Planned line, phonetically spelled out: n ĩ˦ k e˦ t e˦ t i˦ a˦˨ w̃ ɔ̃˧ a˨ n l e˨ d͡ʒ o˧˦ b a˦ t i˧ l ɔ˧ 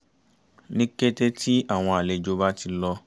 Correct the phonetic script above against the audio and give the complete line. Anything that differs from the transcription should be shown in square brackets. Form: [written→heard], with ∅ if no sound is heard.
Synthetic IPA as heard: n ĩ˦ k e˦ t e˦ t i˦ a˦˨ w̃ ɔ̃˧ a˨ [n→∅] l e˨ d͡ʒ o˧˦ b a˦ t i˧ l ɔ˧